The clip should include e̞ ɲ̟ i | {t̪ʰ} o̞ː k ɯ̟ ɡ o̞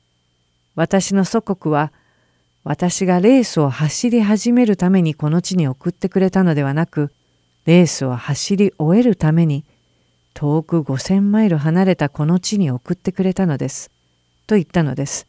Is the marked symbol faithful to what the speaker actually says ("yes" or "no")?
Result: yes